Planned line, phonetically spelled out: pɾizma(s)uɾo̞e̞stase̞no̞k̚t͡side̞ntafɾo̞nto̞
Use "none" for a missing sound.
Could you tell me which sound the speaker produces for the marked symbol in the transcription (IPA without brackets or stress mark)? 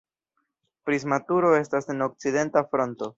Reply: t